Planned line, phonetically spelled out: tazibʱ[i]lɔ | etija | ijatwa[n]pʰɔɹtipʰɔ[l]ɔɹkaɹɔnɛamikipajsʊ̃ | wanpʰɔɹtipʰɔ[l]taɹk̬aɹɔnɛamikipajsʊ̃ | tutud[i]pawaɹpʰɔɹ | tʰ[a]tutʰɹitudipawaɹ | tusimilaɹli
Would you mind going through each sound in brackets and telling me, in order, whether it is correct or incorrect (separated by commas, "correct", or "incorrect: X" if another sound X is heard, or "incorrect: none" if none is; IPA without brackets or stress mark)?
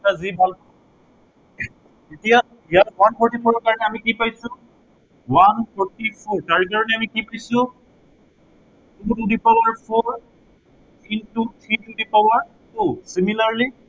incorrect: a, correct, incorrect: ɹ, incorrect: ɹ, correct, incorrect: i